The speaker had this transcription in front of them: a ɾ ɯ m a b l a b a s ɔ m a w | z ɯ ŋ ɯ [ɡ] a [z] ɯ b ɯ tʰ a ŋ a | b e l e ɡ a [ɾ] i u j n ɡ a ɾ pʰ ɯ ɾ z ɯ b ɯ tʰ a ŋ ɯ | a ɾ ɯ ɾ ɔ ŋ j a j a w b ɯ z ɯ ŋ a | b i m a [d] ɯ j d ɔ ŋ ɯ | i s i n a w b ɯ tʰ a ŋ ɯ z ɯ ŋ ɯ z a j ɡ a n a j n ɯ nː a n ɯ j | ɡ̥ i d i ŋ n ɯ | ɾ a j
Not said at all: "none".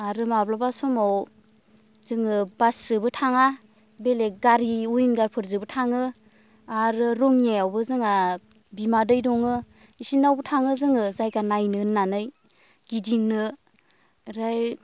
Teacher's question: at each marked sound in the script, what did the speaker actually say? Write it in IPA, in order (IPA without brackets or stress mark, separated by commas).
b, s, ɾ, d